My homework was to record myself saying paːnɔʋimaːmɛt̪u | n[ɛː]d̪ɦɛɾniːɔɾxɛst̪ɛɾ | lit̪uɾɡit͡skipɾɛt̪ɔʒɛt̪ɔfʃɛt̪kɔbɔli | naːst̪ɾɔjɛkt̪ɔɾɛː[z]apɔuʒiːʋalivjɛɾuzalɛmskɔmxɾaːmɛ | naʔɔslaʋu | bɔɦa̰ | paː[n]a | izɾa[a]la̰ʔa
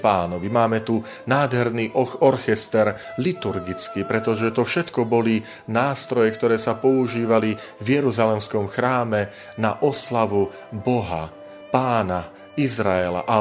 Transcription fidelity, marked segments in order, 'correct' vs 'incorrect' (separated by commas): incorrect, incorrect, correct, incorrect